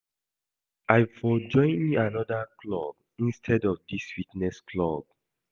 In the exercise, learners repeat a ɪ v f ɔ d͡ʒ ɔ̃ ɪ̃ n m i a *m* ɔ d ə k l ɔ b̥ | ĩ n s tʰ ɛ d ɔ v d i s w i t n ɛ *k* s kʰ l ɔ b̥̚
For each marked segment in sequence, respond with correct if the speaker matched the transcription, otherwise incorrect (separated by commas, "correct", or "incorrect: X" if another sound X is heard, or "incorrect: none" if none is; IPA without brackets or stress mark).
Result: incorrect: n, incorrect: none